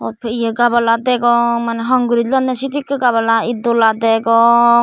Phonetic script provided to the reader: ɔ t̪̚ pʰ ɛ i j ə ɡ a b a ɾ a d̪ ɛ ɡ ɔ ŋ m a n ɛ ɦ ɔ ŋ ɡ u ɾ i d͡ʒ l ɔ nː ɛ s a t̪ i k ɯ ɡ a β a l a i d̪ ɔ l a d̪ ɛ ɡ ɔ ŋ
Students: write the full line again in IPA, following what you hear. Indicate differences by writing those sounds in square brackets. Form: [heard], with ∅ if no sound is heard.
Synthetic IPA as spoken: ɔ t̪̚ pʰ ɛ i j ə ɡ a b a [l] a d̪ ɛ ɡ ɔ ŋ m a n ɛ ɦ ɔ ŋ ɡ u ɾ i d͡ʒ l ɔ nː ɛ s [i] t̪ i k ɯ ɡ a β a l a i d̪ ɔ l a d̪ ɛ ɡ ɔ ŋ

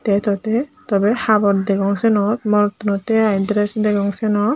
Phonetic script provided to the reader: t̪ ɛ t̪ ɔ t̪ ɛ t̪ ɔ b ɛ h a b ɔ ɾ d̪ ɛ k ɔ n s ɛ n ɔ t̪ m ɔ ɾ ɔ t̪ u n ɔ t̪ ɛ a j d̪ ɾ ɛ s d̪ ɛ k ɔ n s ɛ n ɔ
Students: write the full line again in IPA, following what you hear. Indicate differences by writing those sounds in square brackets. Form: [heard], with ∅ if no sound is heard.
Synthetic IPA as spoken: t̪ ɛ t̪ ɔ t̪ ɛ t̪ ɔ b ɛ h a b ɔ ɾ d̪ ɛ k ɔ [ŋ] s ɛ n ɔ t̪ m ɔ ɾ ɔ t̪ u n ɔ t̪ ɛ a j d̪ ɾ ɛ s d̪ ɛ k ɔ [ŋ] s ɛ n ɔ

